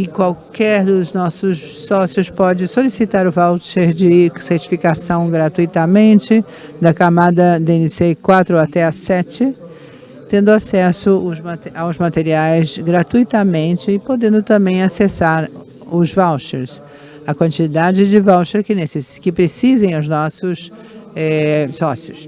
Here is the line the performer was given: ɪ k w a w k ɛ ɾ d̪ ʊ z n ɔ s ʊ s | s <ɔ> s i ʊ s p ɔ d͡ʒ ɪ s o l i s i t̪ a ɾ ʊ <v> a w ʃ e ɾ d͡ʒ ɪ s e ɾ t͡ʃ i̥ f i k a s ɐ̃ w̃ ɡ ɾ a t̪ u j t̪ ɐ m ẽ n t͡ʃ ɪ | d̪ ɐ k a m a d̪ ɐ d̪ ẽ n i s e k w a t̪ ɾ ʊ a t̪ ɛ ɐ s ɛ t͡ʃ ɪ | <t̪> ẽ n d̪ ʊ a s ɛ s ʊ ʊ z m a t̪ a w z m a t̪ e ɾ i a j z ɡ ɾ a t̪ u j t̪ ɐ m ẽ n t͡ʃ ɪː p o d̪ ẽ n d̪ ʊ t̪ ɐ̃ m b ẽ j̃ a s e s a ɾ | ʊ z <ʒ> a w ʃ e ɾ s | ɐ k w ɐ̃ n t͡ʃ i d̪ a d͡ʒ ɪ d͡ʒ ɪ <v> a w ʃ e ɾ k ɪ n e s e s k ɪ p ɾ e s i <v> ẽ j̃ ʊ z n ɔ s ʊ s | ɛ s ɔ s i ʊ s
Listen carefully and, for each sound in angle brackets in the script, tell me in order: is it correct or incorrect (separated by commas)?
correct, correct, correct, incorrect, correct, incorrect